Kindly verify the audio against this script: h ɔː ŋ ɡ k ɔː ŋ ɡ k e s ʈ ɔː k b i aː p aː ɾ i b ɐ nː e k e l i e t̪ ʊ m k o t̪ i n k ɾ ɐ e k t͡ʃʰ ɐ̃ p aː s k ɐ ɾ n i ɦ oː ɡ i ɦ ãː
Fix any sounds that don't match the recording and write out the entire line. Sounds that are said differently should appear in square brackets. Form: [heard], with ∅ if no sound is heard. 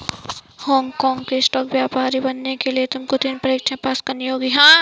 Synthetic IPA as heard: h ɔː ŋ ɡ k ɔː ŋ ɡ k e s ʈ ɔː k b [j] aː p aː ɾ i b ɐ nː e k e l i e t̪ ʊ m k o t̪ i n [p] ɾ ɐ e k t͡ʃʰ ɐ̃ p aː s k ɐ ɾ n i ɦ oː ɡ i ɦ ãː

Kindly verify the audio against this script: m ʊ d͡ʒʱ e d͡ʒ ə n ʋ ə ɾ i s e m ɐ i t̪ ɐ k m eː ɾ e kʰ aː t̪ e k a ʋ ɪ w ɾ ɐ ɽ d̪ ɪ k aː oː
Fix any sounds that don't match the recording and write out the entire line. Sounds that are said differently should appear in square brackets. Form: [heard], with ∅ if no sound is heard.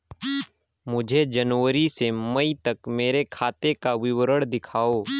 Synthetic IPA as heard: m ʊ d͡ʒʱ e d͡ʒ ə n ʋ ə ɾ i s e m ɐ i t̪ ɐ k m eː ɾ e kʰ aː t̪ e k a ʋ ɪ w ɾ [ə] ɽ d̪ ɪ [kʰ] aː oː

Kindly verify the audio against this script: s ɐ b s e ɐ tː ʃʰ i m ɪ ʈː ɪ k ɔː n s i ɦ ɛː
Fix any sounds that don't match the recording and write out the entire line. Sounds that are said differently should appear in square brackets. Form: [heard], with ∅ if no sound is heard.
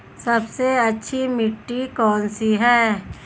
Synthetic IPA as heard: s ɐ b s e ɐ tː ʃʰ i m ɪ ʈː [i] k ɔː n s i ɦ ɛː

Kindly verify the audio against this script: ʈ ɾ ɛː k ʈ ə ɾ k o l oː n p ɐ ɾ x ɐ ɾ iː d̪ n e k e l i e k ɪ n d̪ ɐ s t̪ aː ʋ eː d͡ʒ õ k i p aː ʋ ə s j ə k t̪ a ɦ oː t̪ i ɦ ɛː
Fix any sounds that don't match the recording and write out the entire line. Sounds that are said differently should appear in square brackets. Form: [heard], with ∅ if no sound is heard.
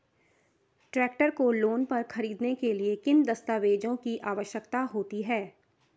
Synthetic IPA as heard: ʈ ɾ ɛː k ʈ ə ɾ k o l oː n p ɐ ɾ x ɐ ɾ iː d̪ n e k e l i e k ɪ n d̪ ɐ s t̪ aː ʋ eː d͡ʒ õ k i [ʔ] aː ʋ ə [ʃ] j ə k t̪ a ɦ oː t̪ i ɦ ɛː

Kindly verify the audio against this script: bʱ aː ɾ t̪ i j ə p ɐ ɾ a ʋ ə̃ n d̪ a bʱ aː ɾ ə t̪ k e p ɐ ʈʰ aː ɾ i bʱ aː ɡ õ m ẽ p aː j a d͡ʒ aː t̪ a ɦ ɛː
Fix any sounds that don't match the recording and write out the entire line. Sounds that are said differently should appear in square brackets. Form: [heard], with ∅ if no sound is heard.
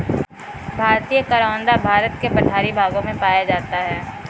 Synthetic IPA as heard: bʱ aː ɾ t̪ i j ə [k] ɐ ɾ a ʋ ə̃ n d̪ a bʱ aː ɾ ə t̪ k e p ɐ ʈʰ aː ɾ i bʱ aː ɡ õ m ẽ p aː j a d͡ʒ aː t̪ a ɦ ɛː

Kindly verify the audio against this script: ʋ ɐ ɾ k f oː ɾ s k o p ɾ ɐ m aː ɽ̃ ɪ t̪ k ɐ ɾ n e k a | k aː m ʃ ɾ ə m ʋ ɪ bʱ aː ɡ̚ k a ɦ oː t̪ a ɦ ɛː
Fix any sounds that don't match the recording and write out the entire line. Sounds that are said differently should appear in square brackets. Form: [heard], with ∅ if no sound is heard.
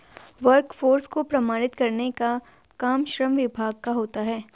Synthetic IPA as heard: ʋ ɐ ɾ k f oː ɾ s k o p ɾ ɐ m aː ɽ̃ ɪ t̪ k ɐ ɾ n e k a | k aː m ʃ ɾ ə m ʋ ɪ bʱ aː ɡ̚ k a ɦ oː t̪ a ɦ ɛː

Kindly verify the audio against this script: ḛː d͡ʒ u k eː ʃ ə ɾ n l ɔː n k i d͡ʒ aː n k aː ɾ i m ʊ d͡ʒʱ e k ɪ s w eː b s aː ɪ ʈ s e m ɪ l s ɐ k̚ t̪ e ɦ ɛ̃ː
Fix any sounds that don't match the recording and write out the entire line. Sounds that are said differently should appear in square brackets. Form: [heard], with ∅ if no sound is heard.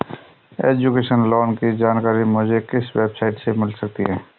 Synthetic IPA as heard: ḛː d͡ʒ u k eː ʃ ə [∅] n l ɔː n k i d͡ʒ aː n k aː ɾ i m ʊ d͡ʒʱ e k ɪ s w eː b s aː ɪ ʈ s e m ɪ l s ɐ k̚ t̪ [i] ɦ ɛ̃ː

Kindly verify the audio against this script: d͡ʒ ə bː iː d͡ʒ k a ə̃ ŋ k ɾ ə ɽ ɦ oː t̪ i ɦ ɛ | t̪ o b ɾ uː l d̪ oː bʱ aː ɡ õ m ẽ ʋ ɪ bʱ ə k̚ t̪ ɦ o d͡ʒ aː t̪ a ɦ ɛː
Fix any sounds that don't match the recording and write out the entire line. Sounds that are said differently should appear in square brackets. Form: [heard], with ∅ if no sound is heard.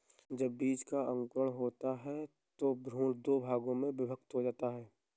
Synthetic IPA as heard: d͡ʒ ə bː iː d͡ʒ k a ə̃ ŋ k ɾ ə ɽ ɦ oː t̪ [a] ɦ ɛ | t̪ o b ɾ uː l d̪ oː bʱ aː ɡ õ m ẽ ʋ ɪ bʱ ə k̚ t̪ ɦ o d͡ʒ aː t̪ a ɦ ɛː

